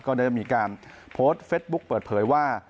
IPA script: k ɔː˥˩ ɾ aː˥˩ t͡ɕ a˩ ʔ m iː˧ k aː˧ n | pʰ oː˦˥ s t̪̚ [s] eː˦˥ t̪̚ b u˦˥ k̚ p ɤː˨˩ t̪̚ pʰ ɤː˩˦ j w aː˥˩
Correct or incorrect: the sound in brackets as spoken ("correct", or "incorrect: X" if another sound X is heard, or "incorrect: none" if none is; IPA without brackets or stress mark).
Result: incorrect: f